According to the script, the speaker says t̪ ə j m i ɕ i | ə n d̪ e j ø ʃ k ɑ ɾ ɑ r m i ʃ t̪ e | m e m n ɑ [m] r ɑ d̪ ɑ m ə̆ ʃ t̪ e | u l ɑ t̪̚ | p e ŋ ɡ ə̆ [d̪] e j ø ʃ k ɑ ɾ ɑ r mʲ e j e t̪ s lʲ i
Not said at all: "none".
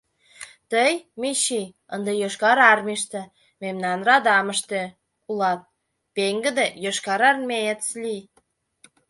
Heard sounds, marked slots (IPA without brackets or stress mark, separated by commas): n, d̪